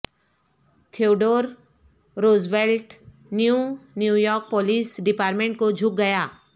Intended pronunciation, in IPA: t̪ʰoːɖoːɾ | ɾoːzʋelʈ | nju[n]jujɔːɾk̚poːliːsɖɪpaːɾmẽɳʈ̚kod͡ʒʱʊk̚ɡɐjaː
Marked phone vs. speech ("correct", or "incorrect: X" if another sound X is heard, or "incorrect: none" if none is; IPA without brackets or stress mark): correct